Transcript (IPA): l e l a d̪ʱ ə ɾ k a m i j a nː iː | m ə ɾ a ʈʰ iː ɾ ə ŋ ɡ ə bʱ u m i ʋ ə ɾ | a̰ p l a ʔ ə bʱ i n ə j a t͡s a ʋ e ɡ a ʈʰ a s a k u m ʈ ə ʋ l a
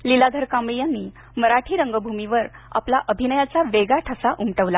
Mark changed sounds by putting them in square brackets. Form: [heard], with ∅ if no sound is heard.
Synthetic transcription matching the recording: l [i] l a d̪ʱ ə ɾ k a m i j a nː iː | m ə ɾ a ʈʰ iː ɾ ə ŋ ɡ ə bʱ u m i ʋ ə ɾ | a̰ p l a ʔ ə bʱ i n ə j a t͡s a ʋ e ɡ a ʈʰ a s a [ʔ] u m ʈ ə ʋ l a